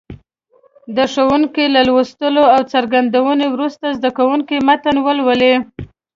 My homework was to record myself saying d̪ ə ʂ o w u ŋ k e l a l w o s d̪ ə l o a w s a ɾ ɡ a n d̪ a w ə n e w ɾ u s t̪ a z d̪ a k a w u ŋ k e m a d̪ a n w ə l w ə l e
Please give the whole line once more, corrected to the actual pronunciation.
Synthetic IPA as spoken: d̪ ə ʂ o w u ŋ k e l a l w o s t̪ ə l o a w t͡s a ɾ ɡ a n d̪ a w ə n e w ɾ u s t̪ a z d̪ a k a w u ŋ k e m a t̪ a n w ə l w ə l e